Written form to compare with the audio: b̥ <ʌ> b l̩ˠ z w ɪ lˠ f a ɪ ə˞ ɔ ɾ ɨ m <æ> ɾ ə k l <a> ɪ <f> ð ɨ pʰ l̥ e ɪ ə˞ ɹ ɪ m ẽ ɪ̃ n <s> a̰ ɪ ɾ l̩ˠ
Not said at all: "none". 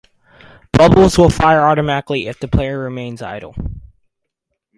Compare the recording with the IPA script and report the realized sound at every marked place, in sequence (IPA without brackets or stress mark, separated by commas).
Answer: ʌ, æ, i, f, z